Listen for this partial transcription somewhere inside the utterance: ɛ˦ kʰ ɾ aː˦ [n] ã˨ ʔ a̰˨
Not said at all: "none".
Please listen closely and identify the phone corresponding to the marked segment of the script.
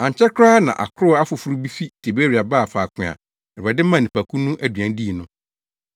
n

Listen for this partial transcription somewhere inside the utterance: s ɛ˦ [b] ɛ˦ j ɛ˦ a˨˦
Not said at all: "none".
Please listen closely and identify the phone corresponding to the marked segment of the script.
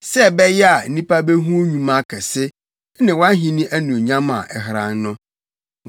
b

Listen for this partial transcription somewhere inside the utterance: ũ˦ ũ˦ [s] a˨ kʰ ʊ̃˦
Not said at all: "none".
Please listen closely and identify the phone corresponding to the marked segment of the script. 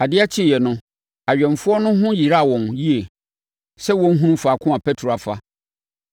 f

